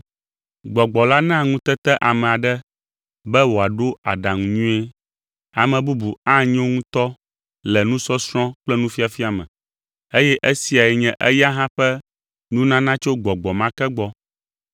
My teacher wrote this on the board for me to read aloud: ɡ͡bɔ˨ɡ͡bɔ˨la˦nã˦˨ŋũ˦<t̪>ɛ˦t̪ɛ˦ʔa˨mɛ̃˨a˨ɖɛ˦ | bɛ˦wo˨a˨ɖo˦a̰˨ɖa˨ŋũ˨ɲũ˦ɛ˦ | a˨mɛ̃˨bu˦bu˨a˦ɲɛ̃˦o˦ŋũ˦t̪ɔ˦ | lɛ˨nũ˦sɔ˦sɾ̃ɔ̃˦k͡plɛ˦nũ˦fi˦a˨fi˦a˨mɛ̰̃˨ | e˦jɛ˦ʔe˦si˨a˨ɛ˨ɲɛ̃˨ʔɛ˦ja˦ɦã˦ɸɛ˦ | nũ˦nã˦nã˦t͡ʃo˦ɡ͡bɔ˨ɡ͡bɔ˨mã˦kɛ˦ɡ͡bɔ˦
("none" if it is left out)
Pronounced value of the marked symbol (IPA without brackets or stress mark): t̪